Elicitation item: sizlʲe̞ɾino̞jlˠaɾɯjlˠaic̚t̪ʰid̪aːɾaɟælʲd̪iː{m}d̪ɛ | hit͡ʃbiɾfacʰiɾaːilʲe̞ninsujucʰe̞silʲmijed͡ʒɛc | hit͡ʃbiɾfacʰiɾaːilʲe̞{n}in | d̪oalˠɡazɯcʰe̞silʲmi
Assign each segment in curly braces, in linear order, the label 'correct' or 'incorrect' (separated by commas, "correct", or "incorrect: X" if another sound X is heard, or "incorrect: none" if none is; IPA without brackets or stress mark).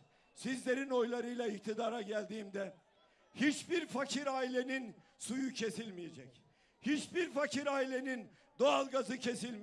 correct, correct